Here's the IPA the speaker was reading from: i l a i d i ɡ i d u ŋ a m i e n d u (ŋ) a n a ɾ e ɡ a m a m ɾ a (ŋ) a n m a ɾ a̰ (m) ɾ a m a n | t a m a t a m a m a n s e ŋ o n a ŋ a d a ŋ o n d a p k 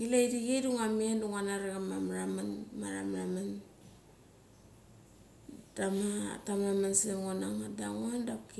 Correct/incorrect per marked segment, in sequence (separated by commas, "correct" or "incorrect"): correct, incorrect, correct